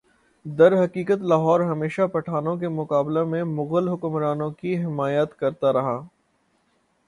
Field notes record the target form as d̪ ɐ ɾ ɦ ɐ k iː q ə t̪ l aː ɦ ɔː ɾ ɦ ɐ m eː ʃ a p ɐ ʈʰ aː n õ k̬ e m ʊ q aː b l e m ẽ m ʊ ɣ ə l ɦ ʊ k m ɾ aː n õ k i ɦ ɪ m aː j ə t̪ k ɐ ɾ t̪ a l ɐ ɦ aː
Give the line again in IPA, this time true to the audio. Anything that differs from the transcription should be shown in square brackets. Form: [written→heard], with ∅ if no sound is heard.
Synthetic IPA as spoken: d̪ ɐ ɾ ɦ ɐ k iː [q→k] ə t̪ l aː ɦ ɔː ɾ ɦ ɐ m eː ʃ a p ɐ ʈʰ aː n õ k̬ e m ʊ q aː b l e m ẽ m ʊ ɣ ə l ɦ ʊ k m ɾ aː n õ k i ɦ ɪ m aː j ə t̪ k ɐ ɾ t̪ a [l→ɾ] ɐ ɦ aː